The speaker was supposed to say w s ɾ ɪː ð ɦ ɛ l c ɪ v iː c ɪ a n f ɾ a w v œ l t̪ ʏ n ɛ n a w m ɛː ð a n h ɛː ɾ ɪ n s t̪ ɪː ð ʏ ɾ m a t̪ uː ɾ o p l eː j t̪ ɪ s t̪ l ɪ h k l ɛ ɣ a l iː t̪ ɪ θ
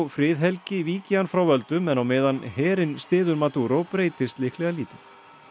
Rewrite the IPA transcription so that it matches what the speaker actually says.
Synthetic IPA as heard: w f ɾ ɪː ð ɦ ɛ l c ɪ v iː c ɪ a n f ɾ a w v œ l t̪ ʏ m ɛ n a w m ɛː ð a n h ɛː ɾ ɪ n s t̪ ɪː ð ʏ ɾ m a t̪ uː ɾ o p ɾ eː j t̪ ɪ s t̪ l ɪ h k l ɛ ɣ a l iː t̪ ɪ θ